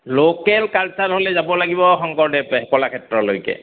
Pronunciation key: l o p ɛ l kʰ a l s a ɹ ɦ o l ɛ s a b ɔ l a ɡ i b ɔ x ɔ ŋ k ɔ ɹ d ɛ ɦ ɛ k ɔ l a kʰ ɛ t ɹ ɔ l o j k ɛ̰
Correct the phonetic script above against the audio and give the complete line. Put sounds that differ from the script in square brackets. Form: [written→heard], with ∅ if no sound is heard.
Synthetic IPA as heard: l o [p→k] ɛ l [kʰ→k] a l s a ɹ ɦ o l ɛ [s→z] a b ɔ l a ɡ i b ɔ x ɔ ŋ k ɔ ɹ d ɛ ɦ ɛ k ɔ l a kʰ ɛ t ɹ ɔ l o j k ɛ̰